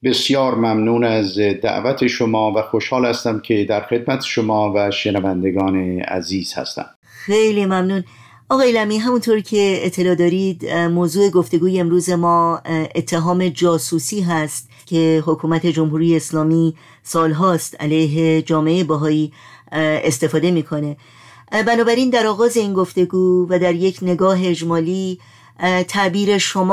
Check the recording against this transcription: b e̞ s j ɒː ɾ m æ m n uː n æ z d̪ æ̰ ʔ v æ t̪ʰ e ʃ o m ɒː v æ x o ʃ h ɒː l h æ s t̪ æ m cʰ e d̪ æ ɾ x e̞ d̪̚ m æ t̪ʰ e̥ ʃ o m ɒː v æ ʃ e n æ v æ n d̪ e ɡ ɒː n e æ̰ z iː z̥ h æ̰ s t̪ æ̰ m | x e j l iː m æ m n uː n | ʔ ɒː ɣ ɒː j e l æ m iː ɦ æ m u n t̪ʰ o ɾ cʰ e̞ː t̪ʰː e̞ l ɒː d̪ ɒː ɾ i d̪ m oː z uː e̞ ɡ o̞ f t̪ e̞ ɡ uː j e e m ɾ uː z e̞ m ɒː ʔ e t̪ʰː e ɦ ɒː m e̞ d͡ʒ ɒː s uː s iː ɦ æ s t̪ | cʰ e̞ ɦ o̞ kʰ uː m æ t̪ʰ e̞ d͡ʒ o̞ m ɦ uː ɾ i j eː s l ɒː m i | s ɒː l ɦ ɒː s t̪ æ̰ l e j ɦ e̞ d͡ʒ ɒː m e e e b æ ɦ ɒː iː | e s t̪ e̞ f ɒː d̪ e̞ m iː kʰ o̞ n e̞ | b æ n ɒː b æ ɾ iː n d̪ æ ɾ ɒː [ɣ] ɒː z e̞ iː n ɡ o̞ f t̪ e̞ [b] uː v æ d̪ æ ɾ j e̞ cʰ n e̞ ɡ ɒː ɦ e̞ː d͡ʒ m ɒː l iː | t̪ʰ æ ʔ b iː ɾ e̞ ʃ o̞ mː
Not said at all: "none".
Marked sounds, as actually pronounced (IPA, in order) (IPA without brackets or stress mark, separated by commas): ɣ, ɡ